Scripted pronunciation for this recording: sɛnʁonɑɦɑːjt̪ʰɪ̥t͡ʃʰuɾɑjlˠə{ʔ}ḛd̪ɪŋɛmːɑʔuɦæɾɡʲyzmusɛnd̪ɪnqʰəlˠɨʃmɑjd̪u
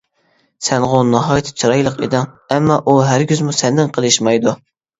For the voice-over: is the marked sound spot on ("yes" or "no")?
no